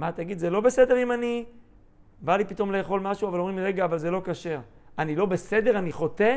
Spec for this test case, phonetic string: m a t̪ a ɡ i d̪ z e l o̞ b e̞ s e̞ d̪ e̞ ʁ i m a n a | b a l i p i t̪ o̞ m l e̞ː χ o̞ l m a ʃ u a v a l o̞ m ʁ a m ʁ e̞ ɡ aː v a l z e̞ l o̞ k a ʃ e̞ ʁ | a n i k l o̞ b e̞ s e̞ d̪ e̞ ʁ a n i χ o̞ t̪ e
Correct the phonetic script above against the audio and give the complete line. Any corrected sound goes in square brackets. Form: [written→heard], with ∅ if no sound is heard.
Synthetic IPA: m a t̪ a ɡ i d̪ z e l o̞ b e̞ s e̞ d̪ e̞ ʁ i m a n [a→i] | b a l i p i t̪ o̞ m l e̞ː χ o̞ l m a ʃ u a v a l o̞ m ʁ [a→i] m ʁ e̞ ɡ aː v a l z e̞ l o̞ k a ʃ e̞ ʁ | a n i [k→∅] l o̞ b e̞ s e̞ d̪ e̞ ʁ a n i χ o̞ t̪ e